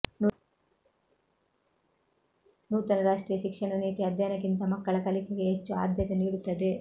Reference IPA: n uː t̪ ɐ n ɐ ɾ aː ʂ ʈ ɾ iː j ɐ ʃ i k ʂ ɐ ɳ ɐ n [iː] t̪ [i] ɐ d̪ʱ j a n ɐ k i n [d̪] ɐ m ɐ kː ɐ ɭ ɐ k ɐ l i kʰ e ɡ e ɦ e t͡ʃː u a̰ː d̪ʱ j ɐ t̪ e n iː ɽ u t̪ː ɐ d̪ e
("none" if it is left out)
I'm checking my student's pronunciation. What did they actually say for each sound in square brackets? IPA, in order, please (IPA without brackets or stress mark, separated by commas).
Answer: iː, i, t̪